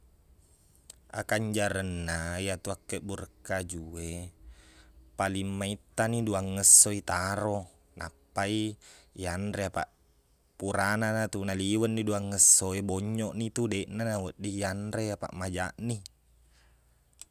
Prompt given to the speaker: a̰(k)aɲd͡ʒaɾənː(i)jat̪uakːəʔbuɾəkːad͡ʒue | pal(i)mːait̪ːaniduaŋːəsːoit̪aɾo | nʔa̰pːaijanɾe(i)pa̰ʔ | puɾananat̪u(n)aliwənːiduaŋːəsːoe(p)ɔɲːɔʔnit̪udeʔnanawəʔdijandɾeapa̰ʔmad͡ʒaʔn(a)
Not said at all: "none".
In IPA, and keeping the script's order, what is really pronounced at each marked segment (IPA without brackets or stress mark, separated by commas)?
k, a, i, a, n, b, i